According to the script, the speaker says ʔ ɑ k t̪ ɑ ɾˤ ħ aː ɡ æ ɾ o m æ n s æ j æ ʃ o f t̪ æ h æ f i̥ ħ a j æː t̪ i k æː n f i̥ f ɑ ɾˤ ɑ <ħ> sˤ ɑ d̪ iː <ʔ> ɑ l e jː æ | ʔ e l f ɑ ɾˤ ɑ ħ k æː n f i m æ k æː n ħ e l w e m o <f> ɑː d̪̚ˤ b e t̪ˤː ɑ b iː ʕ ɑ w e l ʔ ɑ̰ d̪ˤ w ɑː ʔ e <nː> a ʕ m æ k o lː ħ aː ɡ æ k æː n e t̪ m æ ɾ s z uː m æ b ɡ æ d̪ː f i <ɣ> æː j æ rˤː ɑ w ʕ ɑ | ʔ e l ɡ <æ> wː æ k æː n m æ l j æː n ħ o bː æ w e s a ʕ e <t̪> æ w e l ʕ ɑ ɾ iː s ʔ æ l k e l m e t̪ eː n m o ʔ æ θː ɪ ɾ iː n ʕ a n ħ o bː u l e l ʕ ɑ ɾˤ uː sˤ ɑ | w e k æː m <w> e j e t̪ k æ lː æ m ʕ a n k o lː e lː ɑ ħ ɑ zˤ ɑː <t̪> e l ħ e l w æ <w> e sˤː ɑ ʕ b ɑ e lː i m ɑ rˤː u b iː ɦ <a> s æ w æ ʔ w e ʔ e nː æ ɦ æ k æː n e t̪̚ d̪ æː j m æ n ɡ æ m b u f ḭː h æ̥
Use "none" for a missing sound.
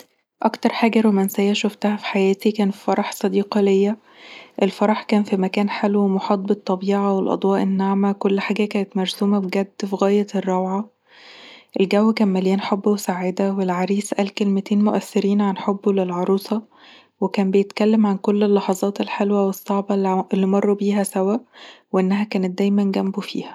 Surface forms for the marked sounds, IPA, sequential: ħ, q, ħ, nː, ɣ, æ, d̪, b, t̪, w, æ

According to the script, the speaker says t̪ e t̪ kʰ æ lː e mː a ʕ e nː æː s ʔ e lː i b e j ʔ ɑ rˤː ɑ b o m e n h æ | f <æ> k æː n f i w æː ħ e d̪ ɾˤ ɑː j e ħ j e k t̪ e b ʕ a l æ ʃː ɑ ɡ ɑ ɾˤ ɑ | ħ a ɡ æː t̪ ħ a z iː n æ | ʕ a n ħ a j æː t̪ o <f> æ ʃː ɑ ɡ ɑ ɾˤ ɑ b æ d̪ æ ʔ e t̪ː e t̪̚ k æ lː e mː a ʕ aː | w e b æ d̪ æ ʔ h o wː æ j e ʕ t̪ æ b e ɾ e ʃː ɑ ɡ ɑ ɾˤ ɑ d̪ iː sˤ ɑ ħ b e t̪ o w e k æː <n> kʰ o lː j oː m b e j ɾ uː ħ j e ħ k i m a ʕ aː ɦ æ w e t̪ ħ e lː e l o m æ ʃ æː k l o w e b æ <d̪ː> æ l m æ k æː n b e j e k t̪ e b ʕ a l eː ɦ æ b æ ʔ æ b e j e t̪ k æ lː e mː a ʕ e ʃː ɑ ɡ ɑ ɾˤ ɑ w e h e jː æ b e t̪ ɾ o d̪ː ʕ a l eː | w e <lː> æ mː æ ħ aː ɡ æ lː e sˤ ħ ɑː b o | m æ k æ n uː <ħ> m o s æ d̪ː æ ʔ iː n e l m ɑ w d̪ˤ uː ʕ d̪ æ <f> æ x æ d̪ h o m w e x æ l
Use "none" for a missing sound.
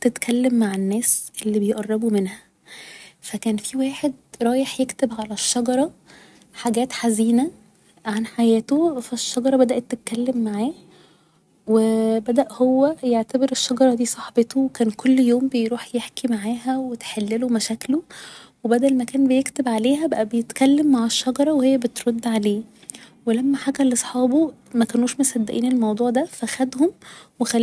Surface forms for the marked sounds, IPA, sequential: æ, f, n, d̪, l, ʃ, f

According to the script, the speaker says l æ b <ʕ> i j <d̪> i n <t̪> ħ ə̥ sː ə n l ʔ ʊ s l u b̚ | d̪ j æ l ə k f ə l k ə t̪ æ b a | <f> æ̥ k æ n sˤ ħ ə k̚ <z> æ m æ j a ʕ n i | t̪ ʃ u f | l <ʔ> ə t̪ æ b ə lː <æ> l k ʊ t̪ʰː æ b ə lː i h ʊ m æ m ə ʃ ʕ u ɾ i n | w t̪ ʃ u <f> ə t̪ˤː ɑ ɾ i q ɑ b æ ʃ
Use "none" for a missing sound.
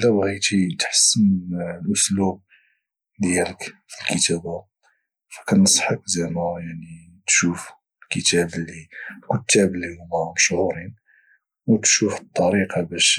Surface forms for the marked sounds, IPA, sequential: ɣ, t̪, t̪, f, z, k, i, f

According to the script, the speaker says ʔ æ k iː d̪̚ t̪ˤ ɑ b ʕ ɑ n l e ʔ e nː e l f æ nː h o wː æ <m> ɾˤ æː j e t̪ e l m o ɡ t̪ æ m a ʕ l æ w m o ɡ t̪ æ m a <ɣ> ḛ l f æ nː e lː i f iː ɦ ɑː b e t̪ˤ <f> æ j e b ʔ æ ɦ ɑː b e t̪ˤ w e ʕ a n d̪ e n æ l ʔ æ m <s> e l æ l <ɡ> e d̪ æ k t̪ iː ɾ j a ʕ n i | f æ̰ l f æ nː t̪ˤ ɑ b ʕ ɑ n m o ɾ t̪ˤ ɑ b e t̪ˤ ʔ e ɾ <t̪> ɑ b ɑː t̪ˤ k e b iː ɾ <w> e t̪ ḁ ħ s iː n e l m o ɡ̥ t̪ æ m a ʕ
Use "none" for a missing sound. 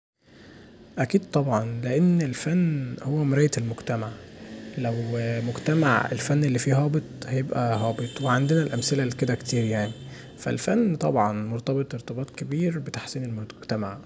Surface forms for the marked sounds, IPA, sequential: m, ʕ, h, s, k, t̪, b

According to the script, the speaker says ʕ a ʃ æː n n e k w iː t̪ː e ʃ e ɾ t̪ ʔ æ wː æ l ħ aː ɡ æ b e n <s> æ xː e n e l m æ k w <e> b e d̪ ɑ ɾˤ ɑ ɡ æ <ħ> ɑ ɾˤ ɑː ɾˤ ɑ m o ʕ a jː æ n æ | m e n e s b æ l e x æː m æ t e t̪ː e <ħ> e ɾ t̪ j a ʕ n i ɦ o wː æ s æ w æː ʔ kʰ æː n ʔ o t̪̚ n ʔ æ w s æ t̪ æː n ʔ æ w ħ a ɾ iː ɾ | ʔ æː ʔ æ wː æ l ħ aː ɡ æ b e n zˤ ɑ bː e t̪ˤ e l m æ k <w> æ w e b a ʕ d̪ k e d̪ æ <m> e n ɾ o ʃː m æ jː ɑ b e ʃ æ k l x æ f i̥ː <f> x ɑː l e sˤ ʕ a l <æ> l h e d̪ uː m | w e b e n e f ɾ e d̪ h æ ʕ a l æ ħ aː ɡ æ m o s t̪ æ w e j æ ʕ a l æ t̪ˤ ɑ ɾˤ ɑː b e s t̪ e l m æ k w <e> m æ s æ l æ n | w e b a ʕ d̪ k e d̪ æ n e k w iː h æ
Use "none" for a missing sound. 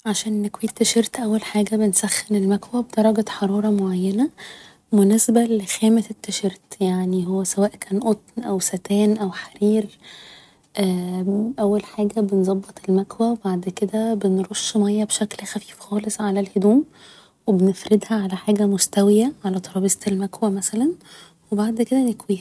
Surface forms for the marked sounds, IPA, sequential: s, æ, ħ, ʃ, w, b, f, æ, æ

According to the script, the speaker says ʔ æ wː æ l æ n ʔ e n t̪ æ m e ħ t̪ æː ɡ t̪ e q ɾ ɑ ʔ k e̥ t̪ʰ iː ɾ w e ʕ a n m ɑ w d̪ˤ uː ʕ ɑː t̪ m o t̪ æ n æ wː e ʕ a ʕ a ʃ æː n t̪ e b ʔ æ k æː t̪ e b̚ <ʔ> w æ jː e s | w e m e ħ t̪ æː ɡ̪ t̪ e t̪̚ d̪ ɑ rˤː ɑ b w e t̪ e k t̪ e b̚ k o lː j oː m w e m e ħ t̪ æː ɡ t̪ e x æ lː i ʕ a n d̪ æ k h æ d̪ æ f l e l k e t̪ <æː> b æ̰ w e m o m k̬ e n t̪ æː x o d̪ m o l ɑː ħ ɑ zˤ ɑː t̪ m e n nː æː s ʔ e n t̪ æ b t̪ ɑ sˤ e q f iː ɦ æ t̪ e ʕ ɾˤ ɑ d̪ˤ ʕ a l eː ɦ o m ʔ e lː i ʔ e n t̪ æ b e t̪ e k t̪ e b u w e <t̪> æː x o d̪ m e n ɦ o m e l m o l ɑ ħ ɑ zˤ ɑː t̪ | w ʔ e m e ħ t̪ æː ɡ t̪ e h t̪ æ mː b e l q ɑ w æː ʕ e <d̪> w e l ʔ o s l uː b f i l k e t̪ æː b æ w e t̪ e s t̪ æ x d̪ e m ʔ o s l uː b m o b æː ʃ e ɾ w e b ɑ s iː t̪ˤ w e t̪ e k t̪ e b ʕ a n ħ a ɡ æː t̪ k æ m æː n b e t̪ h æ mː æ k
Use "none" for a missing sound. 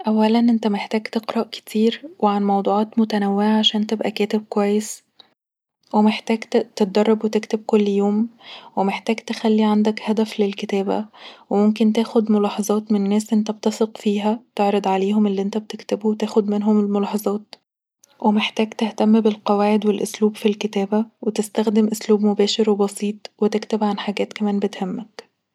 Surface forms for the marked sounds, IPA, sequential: k, æː, t̪, d̪

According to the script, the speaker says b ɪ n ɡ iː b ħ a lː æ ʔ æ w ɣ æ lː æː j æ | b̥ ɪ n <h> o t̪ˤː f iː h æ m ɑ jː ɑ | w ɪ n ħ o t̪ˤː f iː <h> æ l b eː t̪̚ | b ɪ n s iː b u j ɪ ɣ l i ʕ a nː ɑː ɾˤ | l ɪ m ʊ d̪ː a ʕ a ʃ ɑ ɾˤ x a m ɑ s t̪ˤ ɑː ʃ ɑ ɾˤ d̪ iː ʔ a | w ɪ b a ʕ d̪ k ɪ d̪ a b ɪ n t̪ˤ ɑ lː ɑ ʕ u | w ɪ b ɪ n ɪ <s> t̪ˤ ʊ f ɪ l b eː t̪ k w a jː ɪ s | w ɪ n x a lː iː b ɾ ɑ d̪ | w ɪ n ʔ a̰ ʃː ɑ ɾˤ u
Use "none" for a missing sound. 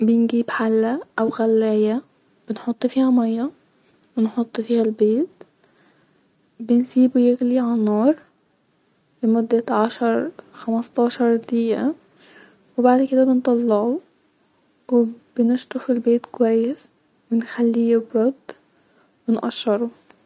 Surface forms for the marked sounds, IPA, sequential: ħ, h, ʃ

